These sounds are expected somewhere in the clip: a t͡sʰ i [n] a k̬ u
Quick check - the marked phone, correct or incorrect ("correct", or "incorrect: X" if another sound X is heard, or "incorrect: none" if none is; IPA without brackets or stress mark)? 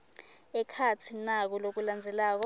correct